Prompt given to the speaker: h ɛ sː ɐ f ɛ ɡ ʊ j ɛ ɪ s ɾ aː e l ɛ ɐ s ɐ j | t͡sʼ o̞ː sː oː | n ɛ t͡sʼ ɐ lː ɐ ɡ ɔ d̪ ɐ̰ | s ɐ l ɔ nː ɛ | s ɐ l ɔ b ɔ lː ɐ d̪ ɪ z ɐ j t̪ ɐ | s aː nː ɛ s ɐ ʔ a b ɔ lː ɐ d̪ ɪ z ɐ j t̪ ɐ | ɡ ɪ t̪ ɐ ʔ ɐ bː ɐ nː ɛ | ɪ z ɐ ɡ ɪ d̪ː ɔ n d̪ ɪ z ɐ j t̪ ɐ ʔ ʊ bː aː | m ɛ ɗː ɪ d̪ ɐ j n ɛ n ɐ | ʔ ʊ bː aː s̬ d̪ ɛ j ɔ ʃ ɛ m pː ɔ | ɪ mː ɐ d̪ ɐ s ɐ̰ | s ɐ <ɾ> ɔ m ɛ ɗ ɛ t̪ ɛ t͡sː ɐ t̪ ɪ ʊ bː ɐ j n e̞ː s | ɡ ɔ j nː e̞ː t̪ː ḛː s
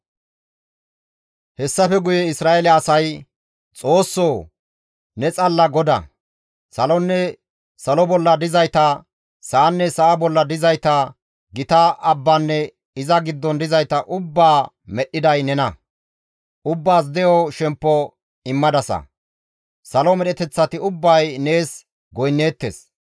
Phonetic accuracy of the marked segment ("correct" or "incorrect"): incorrect